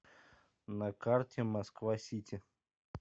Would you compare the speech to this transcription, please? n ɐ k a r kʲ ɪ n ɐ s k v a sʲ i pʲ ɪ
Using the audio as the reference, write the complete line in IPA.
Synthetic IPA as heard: n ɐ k a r tʲ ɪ m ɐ s k v a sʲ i tʲ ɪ